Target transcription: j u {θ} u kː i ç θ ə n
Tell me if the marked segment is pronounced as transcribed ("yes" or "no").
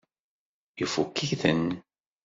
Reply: no